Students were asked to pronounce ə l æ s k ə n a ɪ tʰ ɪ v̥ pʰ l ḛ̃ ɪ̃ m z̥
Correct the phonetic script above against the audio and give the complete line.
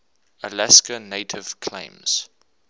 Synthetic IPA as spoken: ə l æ s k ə n e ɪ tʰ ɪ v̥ kʰ l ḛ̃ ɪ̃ m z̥

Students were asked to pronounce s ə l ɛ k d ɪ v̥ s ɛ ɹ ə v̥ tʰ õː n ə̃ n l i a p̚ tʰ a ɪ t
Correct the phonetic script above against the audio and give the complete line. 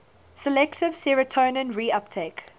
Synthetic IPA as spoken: s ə l ɛ k t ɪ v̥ s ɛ ɹ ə tʰ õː n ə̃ n ɹ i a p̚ tʰ e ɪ k

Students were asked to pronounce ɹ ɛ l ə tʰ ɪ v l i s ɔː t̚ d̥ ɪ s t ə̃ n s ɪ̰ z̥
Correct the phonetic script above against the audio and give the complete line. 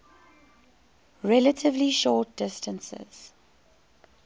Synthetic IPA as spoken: ɹ ɛ l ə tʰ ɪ v l i ʃ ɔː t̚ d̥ ɪ s t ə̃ n s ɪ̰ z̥

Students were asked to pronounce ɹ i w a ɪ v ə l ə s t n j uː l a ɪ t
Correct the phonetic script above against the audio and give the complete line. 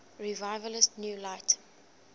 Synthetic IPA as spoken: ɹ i v a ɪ v ə l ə s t n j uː l a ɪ t

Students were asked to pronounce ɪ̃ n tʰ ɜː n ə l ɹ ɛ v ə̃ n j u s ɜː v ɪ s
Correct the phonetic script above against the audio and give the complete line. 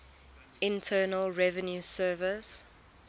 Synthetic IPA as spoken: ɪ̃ n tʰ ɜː n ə l ɹ ɛ v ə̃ n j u s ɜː v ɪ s

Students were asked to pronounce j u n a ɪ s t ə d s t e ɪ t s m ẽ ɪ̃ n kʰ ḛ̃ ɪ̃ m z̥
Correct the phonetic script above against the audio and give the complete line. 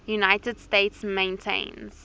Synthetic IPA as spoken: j u n a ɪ t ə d s t e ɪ t s m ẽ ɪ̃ n tʰ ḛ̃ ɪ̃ n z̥

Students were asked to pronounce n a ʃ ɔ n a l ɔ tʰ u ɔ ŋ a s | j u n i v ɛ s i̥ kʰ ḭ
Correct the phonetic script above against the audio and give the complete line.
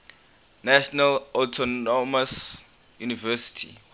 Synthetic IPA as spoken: n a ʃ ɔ n a l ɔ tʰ ɔ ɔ m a s | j u n i v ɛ s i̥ tʰ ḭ

